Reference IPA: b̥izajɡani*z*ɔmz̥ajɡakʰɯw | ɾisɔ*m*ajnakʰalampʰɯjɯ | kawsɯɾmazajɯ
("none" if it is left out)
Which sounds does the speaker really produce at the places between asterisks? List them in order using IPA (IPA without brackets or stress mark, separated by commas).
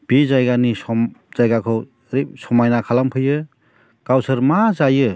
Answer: s, m